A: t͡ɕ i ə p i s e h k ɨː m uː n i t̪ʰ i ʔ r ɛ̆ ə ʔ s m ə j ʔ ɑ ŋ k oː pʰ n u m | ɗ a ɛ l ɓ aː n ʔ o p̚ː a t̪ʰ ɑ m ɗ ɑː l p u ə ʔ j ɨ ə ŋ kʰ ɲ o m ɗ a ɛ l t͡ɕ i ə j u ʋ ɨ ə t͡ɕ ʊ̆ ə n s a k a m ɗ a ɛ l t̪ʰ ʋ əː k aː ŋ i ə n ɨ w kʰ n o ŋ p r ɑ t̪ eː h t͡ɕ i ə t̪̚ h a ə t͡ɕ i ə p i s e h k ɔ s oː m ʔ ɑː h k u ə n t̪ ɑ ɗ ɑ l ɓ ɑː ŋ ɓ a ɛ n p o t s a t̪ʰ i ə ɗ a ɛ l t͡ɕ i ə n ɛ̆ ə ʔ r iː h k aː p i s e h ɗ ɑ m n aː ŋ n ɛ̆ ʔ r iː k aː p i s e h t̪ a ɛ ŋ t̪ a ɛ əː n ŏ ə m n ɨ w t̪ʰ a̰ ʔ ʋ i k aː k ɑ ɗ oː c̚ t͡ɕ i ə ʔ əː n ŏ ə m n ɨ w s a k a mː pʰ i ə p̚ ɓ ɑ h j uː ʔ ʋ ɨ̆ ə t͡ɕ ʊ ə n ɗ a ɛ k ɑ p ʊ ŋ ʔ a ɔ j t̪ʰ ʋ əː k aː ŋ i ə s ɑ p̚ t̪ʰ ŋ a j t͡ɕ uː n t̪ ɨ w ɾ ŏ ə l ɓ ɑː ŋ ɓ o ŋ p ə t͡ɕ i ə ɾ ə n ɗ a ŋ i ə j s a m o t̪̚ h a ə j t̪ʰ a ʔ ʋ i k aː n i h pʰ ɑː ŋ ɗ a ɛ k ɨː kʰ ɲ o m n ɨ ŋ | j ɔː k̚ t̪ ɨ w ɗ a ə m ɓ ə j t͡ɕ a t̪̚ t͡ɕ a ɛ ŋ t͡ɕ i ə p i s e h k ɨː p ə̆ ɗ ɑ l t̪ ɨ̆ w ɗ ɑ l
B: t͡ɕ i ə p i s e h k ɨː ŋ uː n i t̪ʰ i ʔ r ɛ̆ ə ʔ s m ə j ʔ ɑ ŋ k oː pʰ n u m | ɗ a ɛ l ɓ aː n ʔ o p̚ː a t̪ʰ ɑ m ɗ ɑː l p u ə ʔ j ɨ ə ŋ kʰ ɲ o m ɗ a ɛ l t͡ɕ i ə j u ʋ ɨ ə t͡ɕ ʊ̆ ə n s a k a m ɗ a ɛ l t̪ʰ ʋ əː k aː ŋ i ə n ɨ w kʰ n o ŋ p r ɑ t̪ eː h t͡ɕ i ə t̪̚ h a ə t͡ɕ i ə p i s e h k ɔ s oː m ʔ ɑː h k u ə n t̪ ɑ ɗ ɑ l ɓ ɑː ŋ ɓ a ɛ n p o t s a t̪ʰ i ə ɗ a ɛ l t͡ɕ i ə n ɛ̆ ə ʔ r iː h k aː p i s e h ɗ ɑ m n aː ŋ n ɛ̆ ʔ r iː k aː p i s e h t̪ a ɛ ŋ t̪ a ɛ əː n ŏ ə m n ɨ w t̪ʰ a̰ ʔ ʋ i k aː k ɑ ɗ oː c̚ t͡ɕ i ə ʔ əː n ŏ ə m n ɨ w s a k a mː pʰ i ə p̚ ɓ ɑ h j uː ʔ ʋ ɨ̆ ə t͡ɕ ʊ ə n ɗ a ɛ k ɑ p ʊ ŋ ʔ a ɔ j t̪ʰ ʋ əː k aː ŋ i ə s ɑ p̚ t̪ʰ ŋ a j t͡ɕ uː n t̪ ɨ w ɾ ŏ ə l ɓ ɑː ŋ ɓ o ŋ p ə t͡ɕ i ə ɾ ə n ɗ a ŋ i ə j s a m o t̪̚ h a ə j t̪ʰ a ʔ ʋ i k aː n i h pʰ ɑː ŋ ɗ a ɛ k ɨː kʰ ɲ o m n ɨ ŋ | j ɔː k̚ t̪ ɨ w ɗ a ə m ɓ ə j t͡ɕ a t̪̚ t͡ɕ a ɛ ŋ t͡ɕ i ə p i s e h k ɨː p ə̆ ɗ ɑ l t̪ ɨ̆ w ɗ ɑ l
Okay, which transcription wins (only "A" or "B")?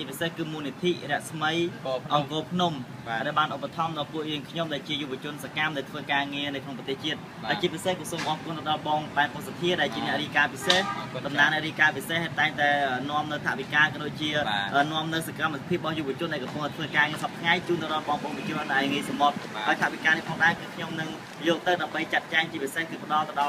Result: A